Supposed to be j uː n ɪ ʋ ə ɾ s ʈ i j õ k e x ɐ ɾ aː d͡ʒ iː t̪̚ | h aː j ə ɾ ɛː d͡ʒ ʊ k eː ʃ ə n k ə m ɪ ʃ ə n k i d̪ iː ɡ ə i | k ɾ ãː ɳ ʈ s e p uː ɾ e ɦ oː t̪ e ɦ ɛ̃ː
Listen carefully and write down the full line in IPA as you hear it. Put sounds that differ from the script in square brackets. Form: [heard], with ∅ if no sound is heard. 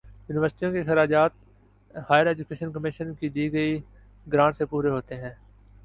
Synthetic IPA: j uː n ɪ ʋ ə ɾ s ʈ i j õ k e x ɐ ɾ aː d͡ʒ [aː] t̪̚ | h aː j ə ɾ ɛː d͡ʒ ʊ k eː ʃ ə n k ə m ɪ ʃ ə n k i d̪ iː ɡ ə i | [ɡ] ɾ ãː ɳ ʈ s e p uː ɾ e ɦ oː t̪ e ɦ ɛ̃ː

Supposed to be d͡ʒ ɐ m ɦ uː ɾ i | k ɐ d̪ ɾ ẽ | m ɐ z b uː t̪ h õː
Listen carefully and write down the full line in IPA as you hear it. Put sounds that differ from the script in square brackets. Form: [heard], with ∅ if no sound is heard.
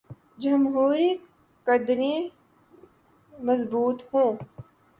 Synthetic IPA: d͡ʒ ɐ m ɦ uː ɾ i | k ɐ d̪ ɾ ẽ | m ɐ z b uː t̪ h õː

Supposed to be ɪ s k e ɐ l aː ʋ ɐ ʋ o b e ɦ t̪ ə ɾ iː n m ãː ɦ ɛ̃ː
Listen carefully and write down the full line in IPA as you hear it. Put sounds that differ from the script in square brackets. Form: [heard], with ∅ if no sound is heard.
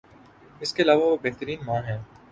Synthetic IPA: ɪ s k e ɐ l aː ʋ [a] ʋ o b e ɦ t̪ ə ɾ iː n m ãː ɦ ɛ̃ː

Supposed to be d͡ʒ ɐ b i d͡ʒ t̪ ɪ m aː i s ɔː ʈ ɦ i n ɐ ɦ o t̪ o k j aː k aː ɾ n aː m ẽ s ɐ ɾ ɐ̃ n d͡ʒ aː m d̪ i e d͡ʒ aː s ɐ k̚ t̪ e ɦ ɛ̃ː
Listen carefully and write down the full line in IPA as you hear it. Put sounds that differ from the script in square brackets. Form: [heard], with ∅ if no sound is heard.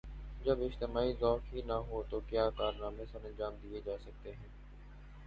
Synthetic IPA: d͡ʒ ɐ b [ɪ] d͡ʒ t̪ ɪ m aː i [z] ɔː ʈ ɦ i n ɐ ɦ o t̪ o k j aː k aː ɾ n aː m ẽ s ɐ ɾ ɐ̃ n d͡ʒ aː m d̪ i e d͡ʒ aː s ɐ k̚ t̪ e ɦ ɛ̃ː

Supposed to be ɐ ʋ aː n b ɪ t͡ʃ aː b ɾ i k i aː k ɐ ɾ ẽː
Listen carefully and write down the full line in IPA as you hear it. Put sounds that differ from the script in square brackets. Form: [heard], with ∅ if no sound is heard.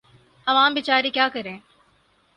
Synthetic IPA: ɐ ʋ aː [m] b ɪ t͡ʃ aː [∅] ɾ i k [j] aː k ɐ ɾ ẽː

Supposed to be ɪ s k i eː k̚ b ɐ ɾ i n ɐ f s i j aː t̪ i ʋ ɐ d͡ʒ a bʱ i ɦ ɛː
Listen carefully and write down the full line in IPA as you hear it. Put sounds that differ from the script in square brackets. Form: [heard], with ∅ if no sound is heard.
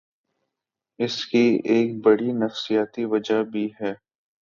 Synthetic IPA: ɪ s k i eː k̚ b ɐ [ɽ] i n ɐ f s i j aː t̪ i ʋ ɐ d͡ʒ a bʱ i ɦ ɛː

